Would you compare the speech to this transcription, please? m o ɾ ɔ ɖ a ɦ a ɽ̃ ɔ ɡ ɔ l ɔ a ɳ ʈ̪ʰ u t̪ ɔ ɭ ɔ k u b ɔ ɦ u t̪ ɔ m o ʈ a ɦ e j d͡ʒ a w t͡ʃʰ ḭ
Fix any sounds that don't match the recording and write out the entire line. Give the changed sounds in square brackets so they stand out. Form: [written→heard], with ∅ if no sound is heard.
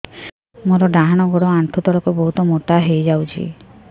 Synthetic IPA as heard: m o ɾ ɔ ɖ a ɦ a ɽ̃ ɔ ɡ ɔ [l→ɽ] ɔ a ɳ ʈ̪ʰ u t̪ ɔ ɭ ɔ k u b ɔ ɦ u t̪ ɔ m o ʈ a ɦ e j d͡ʒ a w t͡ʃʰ ḭ